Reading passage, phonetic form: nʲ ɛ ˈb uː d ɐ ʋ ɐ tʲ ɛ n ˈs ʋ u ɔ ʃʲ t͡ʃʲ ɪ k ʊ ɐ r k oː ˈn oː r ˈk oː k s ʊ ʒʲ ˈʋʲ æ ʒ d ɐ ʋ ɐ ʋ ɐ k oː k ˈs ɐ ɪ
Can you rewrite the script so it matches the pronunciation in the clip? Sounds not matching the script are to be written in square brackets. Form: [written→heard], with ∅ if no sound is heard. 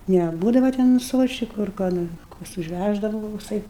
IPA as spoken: nʲ ɛ ˈb uː d ɐ ʋ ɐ tʲ ɛ n ˈs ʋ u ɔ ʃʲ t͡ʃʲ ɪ k ʊ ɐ r k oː ˈn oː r ˈk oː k s ʊ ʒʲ ˈʋʲ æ ʒ d ɐ ʋ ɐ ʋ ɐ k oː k ˈs ɐ ɪ